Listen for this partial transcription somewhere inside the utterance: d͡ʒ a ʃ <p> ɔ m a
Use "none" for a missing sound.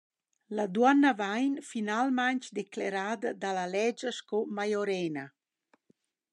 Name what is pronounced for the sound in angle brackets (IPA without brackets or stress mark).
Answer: k